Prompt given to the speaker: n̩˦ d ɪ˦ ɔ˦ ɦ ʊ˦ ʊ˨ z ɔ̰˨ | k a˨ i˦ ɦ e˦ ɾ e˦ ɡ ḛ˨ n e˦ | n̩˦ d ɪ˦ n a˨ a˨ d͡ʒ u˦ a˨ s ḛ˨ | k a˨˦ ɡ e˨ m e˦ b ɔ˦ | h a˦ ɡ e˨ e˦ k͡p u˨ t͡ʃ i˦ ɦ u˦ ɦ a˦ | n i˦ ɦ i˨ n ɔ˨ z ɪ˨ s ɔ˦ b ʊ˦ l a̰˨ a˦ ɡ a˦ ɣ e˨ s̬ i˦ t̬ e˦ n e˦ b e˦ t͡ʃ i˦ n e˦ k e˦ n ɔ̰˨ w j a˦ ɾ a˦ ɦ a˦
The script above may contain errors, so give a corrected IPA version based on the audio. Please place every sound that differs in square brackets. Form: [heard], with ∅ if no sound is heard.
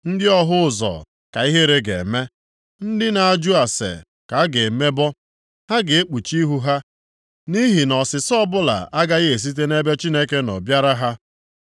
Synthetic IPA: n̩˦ d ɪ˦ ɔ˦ ɦ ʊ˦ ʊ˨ z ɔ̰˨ | k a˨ i˦ ɦ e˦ ɾ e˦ ɡ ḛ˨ [m] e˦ | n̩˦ d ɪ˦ n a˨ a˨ d͡ʒ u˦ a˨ s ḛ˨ | k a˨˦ ɡ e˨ m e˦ b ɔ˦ | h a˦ ɡ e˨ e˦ k͡p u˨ t͡ʃ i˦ ɦ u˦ ɦ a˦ | n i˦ ɦ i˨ n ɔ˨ [s] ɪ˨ s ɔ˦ b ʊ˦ l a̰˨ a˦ ɡ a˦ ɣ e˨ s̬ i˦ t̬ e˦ n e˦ b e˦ t͡ʃ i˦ n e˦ k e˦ n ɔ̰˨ [b] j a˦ ɾ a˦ ɦ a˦